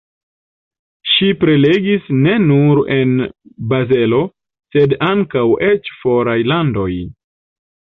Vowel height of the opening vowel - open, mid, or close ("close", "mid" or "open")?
close